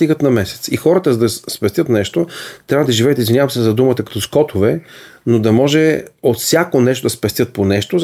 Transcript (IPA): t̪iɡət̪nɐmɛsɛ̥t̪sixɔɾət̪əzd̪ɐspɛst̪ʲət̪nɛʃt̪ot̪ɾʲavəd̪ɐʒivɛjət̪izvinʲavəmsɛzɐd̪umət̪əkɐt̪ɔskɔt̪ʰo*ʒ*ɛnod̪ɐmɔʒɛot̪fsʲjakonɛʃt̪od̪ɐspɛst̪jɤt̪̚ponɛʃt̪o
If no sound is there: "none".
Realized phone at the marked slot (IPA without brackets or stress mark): v